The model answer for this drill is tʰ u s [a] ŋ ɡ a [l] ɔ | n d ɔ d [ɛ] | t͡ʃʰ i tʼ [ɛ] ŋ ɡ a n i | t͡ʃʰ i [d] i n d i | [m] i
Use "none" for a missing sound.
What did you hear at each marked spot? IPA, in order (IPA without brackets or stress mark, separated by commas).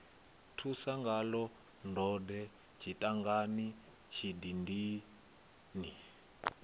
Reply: a, l, ɛ, a, d, n